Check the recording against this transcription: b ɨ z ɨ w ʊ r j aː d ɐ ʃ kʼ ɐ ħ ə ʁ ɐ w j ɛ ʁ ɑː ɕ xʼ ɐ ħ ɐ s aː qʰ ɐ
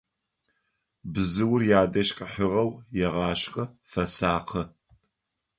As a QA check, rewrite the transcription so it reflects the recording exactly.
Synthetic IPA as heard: b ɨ z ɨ w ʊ r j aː d ɐ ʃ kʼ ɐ ħ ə ʁ ɐ w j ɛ ʁ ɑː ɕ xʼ ɐ f ɐ s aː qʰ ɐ